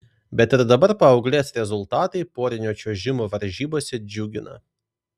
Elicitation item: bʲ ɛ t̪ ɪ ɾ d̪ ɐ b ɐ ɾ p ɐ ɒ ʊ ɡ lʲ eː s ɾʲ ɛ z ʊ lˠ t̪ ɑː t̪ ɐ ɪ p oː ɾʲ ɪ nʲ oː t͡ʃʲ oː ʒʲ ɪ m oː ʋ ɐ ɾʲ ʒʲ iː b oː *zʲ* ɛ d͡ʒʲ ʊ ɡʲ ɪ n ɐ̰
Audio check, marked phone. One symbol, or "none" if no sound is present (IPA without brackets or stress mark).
sʲ